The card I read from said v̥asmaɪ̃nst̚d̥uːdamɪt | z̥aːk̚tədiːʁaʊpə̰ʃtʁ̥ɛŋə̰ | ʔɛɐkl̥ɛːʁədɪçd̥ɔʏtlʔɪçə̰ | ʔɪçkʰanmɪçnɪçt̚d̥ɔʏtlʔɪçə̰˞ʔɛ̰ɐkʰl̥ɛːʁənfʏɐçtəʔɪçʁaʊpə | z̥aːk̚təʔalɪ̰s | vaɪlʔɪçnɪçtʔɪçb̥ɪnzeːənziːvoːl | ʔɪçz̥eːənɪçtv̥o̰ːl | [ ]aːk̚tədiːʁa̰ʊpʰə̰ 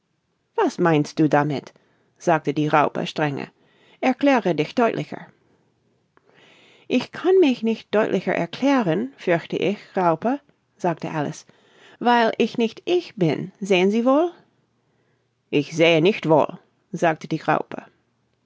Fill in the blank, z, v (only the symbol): z